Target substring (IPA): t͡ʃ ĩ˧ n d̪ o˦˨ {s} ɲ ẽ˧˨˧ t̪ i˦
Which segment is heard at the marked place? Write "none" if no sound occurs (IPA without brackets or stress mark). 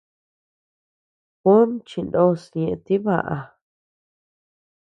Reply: s